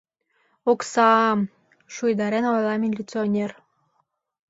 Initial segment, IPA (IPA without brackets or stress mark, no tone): o